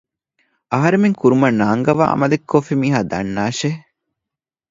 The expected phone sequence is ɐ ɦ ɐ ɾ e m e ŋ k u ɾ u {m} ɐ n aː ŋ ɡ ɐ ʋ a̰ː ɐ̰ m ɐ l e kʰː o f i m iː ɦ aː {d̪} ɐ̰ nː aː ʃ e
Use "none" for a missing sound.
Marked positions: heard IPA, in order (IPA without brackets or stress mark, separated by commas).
m, d̪